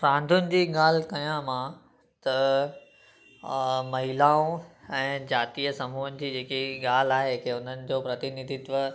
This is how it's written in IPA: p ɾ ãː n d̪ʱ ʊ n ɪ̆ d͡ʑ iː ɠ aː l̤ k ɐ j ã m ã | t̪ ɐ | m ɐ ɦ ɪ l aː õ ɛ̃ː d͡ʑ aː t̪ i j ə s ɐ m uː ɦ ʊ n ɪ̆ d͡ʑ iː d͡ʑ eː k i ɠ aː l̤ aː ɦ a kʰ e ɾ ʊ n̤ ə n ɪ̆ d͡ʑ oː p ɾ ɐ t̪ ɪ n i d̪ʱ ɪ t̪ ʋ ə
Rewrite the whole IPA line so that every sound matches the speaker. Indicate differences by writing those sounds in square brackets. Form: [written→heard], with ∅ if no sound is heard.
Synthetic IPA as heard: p ɾ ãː n d̪ʱ ʊ n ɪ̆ d͡ʑ iː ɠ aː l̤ k ɐ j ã m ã | t̪ ɐ | m ɐ ɦ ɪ l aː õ ɛ̃ː d͡ʑ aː t̪ i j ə s ɐ m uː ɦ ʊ n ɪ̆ d͡ʑ iː d͡ʑ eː k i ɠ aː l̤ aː ɦ [a→e] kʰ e [ɾ→∅] ʊ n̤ ə n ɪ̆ d͡ʑ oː p ɾ ɐ t̪ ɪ n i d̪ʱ ɪ t̪ ʋ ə